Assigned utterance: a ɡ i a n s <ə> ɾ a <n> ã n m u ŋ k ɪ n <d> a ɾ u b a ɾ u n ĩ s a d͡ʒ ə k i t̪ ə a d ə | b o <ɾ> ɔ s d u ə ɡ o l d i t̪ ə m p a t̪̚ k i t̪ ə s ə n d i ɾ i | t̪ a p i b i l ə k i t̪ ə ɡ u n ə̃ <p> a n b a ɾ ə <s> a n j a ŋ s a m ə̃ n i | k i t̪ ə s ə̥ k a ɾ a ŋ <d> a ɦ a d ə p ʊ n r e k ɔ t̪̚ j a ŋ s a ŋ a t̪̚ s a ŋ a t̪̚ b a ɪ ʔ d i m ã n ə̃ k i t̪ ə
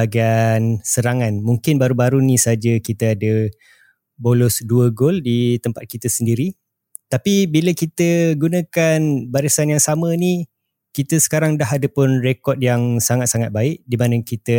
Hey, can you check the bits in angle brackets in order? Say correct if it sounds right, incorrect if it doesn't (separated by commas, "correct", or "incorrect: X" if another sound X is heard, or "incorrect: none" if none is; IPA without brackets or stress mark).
correct, incorrect: ŋ, incorrect: b, incorrect: l, incorrect: k, correct, correct